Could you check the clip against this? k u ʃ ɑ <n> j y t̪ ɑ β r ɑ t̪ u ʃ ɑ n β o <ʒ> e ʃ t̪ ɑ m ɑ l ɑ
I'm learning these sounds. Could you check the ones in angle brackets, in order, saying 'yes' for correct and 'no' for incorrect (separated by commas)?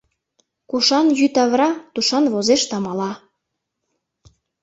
yes, no